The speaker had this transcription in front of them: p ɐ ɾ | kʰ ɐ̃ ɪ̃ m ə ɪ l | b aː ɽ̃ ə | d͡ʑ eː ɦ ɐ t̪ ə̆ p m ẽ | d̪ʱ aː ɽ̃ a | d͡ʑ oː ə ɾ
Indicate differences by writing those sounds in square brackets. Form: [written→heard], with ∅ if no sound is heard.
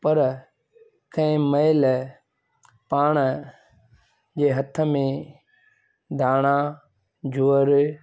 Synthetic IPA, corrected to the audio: p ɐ ɾ | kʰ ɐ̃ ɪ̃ m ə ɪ l | [b→p] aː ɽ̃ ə | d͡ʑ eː ɦ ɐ [t̪→t̪ʰ] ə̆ [p→∅] m ẽ | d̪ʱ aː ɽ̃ a | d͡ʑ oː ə ɾ